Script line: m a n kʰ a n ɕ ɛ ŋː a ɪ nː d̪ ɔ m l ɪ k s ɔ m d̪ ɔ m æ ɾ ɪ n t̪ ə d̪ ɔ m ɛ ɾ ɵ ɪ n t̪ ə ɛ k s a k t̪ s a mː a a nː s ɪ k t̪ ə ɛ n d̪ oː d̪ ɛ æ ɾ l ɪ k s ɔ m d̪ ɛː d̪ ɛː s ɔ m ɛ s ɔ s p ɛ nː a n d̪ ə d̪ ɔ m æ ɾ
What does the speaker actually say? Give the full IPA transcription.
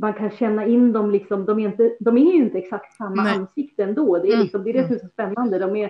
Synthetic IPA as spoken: m a n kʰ a n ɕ ɛ nː a ɪ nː d̪ ɔ m l ɪ k s ɔ m d̪ ɔ m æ ɾ ɪ n t̪ ə d̪ ɔ m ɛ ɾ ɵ ɪ n t̪ ə ɛ k s a k t̪ s a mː a a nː s ɪ k t̪ ə ɛ n d̪ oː d̪ ɛ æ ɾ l ɪ k s ɔ m d̪ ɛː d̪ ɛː s ɔ m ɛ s ɔ s p ɛ nː a n d̪ ə d̪ ɔ m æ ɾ